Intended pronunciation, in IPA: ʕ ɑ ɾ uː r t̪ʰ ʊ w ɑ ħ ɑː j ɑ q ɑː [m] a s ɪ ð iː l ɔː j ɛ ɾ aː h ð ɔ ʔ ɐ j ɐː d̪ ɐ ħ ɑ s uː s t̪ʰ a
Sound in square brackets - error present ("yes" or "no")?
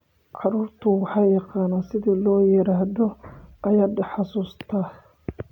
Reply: yes